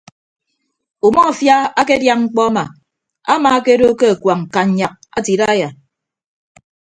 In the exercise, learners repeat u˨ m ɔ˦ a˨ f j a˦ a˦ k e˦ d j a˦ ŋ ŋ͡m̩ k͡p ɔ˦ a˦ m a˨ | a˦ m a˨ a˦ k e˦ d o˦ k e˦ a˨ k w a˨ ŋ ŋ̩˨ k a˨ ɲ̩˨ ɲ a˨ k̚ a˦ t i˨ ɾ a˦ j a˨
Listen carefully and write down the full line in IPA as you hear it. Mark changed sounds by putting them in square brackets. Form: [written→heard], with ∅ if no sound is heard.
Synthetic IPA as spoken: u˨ m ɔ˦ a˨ f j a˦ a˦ k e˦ d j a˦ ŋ ŋ͡m̩ k͡p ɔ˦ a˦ m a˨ | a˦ m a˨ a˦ k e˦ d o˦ k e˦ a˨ k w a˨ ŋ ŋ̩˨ k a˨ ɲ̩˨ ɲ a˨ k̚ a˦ t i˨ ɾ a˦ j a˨